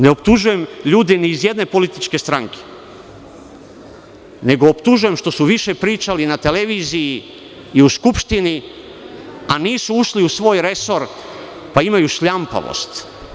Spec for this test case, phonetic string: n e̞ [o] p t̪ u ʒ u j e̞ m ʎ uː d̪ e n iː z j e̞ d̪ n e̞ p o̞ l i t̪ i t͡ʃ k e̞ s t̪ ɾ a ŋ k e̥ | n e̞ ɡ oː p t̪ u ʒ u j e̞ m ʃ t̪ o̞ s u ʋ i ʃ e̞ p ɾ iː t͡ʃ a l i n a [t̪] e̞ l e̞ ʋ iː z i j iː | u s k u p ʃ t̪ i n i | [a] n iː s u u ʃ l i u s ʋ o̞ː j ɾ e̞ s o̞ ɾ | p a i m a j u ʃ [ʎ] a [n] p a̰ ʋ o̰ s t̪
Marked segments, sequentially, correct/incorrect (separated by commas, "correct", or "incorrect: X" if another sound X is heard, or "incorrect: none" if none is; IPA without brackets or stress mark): correct, correct, correct, correct, incorrect: m